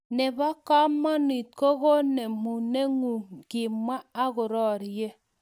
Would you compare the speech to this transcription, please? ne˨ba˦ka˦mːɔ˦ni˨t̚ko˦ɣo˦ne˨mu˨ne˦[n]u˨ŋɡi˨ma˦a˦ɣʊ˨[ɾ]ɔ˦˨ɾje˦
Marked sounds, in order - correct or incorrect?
incorrect: ŋ, correct

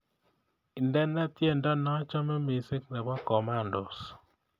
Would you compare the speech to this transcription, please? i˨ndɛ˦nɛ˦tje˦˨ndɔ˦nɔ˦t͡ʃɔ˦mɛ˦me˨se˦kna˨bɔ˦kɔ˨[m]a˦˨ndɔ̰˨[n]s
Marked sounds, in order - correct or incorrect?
correct, incorrect: none

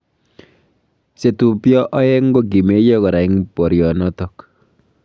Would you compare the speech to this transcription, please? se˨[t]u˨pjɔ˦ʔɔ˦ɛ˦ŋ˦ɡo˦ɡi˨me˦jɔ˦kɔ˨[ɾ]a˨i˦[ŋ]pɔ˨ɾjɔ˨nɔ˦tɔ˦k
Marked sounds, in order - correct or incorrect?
correct, correct, correct

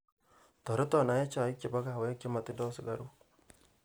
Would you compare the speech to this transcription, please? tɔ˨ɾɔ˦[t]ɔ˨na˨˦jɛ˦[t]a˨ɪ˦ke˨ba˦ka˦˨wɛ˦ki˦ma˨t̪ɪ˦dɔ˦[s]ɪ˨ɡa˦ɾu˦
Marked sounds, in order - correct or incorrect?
correct, incorrect: t͡ʃ, correct

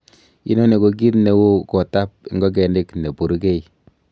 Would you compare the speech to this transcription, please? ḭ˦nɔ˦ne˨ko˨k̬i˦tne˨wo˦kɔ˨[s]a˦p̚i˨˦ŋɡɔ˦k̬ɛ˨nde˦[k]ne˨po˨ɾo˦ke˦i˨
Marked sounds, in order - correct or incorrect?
incorrect: t, correct

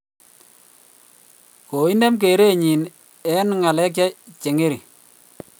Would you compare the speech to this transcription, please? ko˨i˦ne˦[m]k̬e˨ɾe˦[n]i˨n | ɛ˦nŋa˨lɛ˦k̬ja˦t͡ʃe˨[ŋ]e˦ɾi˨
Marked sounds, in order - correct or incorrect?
correct, incorrect: ɲ, correct

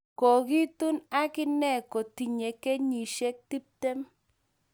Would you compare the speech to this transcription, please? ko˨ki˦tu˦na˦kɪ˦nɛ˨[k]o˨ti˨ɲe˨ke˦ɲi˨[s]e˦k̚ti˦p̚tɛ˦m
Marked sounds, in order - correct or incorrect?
correct, incorrect: ʃ

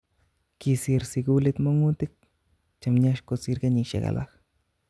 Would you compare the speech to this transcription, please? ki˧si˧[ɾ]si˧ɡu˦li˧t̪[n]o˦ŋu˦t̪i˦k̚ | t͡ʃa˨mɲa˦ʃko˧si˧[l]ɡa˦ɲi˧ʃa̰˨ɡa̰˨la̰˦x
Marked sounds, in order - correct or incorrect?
correct, incorrect: m, incorrect: ɾ

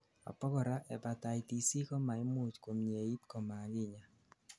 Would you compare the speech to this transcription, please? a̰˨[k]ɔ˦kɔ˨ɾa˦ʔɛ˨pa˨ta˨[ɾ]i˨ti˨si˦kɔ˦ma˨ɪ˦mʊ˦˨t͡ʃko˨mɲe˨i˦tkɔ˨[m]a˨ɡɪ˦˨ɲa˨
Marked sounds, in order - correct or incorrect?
incorrect: p, incorrect: none, correct

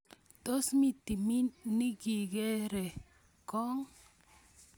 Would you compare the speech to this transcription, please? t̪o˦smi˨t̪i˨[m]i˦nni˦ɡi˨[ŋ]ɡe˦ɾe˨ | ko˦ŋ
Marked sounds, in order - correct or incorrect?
correct, incorrect: none

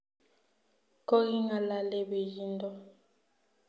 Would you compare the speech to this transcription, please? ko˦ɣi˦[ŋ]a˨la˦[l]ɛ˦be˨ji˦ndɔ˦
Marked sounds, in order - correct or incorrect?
correct, correct

